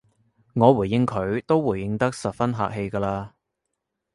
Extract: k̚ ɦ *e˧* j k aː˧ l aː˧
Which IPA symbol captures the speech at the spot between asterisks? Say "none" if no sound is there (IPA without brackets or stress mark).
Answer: e˧